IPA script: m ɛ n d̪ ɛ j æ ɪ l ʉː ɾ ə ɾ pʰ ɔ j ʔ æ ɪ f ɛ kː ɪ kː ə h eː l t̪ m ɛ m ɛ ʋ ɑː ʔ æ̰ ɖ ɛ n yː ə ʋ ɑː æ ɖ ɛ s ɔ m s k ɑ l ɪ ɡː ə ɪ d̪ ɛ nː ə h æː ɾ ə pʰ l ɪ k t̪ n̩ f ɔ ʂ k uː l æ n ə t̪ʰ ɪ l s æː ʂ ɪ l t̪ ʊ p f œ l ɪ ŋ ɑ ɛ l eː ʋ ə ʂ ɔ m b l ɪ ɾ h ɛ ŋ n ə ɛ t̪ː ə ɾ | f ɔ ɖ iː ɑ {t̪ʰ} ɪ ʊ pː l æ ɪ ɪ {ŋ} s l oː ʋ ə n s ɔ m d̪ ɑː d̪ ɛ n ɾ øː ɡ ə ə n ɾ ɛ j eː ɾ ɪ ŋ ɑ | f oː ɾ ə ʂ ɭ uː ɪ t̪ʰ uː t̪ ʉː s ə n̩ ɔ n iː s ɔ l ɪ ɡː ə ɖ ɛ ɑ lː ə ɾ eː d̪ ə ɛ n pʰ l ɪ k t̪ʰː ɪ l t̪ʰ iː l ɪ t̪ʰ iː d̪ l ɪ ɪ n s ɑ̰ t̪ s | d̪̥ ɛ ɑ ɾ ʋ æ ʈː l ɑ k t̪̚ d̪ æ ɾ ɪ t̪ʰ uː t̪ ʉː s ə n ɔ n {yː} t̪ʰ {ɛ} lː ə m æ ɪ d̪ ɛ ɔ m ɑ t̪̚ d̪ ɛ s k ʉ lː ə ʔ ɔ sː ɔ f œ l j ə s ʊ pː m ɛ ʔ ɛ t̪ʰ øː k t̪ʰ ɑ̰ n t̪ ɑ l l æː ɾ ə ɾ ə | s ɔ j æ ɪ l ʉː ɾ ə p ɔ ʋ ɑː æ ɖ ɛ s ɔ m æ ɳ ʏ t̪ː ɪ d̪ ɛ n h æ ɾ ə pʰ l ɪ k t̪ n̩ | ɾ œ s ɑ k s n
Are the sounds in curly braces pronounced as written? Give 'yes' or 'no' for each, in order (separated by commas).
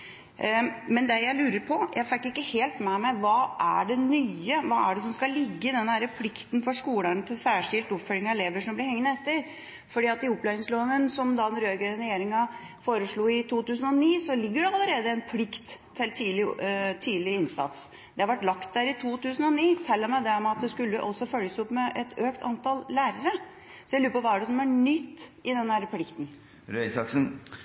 no, yes, no, yes